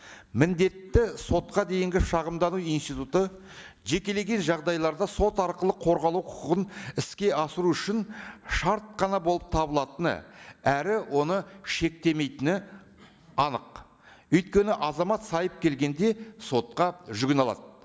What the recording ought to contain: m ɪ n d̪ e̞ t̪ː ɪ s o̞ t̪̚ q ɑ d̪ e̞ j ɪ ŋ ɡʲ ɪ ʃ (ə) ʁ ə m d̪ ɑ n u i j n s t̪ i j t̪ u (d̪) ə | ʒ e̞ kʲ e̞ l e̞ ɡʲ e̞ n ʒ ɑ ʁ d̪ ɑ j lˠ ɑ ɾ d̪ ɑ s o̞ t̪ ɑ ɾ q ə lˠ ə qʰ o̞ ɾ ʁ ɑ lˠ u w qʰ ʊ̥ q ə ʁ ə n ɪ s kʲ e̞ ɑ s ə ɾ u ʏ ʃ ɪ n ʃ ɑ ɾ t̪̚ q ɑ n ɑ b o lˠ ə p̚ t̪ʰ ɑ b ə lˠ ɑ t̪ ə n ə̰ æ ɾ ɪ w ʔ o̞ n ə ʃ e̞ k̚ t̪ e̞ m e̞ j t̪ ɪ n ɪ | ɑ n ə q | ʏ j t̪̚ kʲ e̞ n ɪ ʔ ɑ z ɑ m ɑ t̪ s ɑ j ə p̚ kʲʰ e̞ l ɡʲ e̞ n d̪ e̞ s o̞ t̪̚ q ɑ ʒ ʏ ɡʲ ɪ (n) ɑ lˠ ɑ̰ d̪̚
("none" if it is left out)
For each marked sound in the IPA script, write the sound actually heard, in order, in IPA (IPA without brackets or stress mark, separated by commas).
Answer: ɑ, t̪, n